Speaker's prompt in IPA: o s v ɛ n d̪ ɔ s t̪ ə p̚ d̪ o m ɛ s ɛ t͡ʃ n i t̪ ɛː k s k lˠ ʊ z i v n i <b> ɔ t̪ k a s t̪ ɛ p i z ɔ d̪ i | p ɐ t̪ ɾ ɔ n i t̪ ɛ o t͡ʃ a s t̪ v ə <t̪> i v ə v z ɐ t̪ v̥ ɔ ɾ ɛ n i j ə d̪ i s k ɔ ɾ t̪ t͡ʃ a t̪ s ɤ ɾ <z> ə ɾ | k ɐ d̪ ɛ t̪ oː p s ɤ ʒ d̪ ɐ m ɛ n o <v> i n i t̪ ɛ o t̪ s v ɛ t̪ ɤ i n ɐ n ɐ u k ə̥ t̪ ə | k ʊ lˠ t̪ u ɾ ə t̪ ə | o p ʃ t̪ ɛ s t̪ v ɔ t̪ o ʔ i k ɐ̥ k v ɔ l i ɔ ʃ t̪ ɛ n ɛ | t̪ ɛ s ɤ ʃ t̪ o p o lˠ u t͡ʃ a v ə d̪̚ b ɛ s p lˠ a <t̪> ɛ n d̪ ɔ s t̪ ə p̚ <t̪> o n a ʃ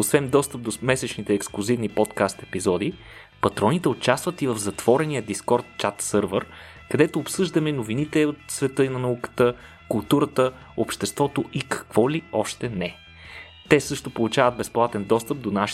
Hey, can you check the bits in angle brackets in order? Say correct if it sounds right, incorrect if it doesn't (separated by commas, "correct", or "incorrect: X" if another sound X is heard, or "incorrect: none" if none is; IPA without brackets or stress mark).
incorrect: p, correct, incorrect: v, correct, correct, incorrect: d̪